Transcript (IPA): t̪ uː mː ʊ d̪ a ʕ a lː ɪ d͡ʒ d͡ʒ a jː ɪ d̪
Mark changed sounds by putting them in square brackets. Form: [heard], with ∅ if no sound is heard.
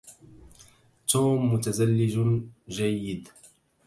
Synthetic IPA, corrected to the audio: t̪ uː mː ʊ [t̪] a [z] a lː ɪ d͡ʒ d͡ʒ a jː ɪ d̪

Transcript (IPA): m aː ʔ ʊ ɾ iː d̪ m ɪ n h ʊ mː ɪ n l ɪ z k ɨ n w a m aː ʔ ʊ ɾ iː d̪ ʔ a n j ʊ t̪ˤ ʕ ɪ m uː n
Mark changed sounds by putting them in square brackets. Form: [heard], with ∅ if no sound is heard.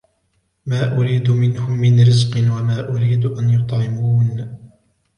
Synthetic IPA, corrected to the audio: m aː ʔ ʊ ɾ iː d̪ m ɪ n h ʊ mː ɪ n [ɾ] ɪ z [q] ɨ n w a m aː ʔ ʊ ɾ iː d̪ ʔ a n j ʊ t̪ˤ ʕ ɪ m uː n

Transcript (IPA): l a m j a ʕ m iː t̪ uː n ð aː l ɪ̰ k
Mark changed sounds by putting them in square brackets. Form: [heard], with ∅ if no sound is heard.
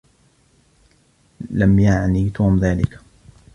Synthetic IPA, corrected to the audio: l a m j a ʕ [n] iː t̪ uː [m] ð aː l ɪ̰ k

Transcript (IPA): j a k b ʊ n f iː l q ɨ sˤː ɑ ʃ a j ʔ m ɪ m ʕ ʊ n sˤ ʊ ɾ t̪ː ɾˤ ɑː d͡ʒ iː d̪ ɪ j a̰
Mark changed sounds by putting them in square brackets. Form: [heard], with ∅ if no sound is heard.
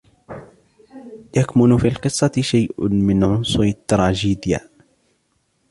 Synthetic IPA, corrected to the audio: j a k [m] ʊ n f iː l q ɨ sˤː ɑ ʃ a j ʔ m ɪ [n] ʕ ʊ n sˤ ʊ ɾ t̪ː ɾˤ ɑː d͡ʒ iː d̪ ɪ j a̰

